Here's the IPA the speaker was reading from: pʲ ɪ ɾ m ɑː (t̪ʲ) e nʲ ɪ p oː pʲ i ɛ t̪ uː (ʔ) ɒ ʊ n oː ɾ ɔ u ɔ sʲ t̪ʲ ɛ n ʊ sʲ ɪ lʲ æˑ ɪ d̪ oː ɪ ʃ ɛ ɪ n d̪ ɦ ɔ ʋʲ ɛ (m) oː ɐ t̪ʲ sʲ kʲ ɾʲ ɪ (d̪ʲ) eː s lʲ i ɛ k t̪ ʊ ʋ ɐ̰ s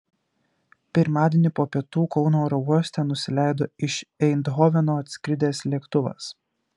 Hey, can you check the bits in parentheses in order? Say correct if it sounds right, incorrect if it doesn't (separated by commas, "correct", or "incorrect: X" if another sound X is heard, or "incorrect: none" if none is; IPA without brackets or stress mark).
incorrect: d̪ʲ, incorrect: k, incorrect: n, correct